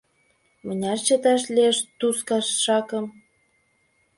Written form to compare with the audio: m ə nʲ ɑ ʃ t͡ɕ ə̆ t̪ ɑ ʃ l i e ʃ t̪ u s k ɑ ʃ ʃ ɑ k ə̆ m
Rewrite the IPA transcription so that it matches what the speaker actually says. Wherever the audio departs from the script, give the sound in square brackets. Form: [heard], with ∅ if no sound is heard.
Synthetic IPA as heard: m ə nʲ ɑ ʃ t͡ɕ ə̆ t̪ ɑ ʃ l i e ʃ t̪ u s k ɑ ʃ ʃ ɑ k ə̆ m